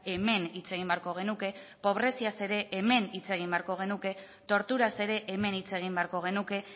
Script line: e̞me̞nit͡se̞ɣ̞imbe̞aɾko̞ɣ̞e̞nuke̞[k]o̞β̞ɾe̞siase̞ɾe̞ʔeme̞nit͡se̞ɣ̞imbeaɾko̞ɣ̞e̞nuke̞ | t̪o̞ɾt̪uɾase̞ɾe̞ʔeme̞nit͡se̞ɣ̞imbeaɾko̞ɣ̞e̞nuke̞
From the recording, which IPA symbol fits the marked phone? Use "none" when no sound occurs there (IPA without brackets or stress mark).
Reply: p